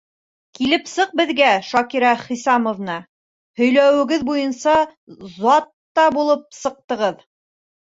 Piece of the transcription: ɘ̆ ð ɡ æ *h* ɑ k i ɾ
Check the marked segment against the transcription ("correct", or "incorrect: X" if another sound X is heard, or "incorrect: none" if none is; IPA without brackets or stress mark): incorrect: ʃ